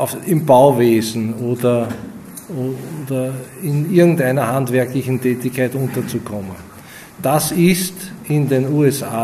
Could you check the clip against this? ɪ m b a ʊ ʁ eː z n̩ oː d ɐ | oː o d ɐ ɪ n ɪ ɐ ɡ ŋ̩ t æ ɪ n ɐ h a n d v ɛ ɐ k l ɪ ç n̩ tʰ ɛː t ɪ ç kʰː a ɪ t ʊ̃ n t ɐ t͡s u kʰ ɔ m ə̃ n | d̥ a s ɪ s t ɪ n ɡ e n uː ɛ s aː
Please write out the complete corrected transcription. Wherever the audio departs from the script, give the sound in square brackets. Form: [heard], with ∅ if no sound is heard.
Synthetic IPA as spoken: ɪ m b a ʊ [v] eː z n̩ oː d ɐ | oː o d ɐ ɪ n ɪ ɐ ɡ ŋ̩ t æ ɪ n ɐ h a n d v ɛ ɐ k l ɪ ç n̩ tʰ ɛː t ɪ ç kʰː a ɪ t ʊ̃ n t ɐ t͡s u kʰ ɔ m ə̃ n | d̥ a s ɪ s t ɪ n [d] e n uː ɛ s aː